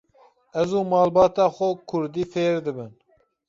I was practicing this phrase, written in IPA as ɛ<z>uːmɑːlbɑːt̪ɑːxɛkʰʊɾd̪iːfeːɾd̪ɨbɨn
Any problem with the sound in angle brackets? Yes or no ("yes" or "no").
no